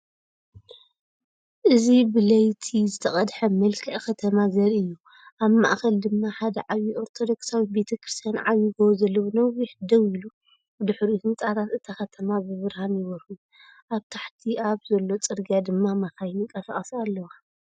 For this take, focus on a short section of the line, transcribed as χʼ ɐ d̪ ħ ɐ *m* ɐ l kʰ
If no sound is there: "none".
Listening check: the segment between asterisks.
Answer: m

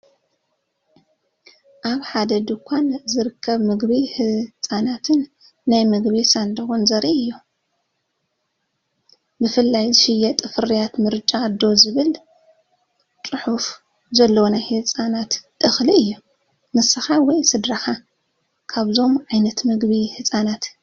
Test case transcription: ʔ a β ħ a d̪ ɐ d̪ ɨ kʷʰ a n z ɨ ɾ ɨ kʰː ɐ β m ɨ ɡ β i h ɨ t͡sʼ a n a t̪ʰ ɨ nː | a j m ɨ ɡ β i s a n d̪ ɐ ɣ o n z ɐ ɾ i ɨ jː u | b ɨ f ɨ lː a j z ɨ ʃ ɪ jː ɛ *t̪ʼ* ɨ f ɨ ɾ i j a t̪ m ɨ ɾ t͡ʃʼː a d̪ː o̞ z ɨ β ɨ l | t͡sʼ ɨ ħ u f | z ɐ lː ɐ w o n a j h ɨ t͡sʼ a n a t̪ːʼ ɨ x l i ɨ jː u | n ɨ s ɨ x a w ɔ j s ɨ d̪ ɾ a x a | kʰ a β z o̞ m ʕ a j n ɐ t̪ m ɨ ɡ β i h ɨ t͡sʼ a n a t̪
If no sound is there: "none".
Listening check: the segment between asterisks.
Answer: t̪ʼ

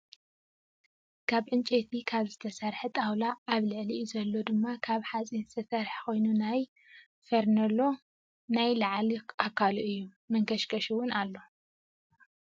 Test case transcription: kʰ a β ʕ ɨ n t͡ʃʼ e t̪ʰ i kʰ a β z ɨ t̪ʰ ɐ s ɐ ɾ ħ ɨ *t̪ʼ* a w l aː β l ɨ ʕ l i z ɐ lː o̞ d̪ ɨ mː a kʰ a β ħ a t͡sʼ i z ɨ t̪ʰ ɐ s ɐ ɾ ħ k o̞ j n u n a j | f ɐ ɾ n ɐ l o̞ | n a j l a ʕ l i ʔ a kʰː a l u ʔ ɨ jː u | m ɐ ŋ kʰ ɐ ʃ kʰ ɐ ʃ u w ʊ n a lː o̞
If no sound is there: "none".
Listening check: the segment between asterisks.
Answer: t̪ʼ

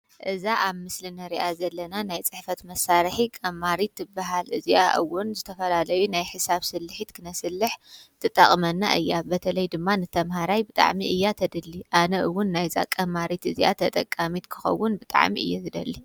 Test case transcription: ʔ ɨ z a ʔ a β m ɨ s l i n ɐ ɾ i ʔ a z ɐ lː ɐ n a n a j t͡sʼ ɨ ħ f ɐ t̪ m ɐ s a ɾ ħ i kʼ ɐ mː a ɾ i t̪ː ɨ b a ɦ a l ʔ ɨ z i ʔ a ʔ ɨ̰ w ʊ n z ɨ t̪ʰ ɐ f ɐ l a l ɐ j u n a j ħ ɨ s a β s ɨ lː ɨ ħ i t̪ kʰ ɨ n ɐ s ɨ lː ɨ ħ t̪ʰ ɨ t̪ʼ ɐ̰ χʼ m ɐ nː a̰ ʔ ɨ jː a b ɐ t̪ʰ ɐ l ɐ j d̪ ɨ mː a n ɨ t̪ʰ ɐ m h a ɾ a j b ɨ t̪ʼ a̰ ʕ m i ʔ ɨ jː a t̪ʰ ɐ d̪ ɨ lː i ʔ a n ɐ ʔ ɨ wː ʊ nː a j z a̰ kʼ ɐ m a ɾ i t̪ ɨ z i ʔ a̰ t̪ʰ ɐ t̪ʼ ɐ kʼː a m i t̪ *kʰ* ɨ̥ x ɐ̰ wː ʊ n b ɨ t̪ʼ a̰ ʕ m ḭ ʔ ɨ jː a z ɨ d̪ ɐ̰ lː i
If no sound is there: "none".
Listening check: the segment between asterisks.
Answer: kʰ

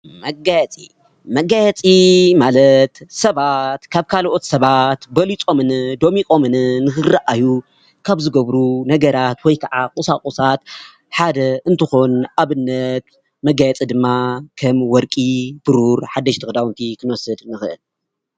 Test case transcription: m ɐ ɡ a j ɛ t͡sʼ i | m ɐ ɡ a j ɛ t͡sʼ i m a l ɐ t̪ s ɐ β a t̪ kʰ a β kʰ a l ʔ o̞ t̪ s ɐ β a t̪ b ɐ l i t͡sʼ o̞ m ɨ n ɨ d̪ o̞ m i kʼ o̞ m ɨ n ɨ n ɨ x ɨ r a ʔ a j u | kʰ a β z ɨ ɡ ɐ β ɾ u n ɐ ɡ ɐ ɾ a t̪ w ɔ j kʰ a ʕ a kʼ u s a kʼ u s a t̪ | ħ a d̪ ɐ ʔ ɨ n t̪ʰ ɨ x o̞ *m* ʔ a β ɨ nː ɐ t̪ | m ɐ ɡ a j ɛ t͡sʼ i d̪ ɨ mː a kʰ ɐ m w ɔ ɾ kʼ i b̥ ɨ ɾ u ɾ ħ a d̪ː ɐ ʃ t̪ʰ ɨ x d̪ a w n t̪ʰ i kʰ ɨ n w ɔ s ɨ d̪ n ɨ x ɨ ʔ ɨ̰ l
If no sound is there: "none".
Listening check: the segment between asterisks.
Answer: n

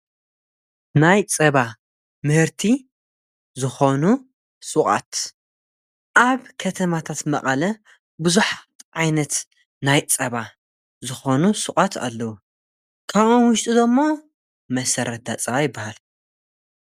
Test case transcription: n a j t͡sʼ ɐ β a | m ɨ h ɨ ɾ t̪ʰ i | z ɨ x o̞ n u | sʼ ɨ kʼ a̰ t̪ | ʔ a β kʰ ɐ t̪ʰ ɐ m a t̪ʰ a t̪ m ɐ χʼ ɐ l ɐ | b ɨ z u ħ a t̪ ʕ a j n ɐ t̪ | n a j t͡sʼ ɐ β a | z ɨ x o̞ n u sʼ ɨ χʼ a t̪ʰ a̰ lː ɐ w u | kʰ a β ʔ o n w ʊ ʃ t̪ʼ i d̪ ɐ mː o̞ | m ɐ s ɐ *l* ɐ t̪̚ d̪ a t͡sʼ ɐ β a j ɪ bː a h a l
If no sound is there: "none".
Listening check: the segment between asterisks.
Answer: ɾ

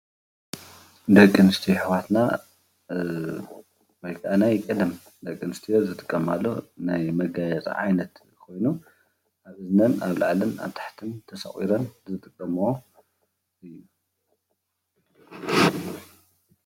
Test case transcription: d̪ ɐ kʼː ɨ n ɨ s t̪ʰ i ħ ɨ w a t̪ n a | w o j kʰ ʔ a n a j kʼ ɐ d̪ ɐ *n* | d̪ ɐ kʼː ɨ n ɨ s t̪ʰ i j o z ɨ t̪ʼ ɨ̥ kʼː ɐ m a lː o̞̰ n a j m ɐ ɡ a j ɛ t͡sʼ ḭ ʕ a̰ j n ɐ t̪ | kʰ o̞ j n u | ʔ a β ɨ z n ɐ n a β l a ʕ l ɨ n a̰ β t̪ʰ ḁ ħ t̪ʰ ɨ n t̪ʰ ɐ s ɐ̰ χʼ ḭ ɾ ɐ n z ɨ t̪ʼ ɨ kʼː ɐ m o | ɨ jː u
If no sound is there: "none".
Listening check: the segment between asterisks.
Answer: m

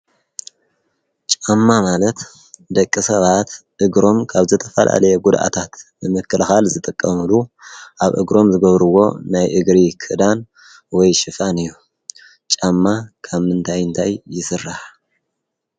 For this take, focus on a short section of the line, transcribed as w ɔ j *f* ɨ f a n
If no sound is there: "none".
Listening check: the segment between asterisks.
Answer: ʃ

